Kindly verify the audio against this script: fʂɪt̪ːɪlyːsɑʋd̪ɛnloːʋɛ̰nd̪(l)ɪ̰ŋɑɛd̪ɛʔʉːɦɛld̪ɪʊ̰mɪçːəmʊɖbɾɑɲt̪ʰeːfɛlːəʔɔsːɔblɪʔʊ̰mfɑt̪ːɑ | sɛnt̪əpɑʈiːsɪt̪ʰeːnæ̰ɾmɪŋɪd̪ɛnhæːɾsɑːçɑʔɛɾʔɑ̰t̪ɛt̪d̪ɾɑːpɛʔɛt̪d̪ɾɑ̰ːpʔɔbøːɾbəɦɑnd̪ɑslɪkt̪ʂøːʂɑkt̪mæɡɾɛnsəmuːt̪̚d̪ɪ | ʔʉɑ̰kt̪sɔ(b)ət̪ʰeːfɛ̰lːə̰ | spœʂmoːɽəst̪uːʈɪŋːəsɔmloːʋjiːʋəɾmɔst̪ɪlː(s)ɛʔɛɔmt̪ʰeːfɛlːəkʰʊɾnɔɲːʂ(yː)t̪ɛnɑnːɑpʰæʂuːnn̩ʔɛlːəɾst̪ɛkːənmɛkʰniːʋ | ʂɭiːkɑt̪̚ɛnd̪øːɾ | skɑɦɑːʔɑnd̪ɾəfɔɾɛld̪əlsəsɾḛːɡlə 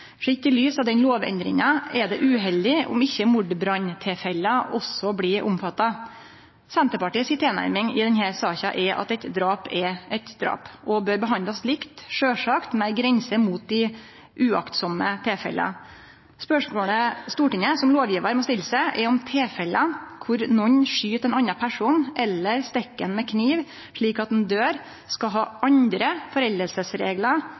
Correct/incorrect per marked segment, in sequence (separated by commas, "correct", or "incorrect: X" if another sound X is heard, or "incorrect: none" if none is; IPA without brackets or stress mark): incorrect: ɾ, incorrect: m, correct, correct